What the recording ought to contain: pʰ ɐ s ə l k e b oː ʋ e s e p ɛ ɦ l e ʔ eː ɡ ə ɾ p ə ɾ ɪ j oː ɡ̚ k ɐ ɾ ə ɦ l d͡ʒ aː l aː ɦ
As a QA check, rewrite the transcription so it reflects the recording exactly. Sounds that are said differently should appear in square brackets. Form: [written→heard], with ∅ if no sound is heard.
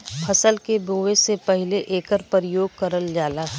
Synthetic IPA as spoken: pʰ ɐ s ə l k e b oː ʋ e s e p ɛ ɦ l e ʔ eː [ɡ→k] ə ɾ p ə ɾ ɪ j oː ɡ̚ k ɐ ɾ ə [ɦ→∅] l d͡ʒ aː l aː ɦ